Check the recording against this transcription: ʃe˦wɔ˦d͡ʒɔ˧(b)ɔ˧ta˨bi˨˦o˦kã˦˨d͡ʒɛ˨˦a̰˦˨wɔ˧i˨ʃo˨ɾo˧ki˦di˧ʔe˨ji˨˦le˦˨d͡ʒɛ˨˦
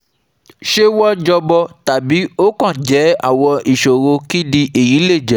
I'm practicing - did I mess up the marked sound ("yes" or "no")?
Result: no